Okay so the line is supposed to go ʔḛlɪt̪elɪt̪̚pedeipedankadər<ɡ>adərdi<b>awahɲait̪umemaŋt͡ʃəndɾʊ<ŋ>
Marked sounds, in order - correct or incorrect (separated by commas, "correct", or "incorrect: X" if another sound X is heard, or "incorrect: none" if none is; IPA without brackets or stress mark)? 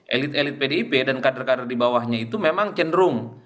incorrect: k, correct, correct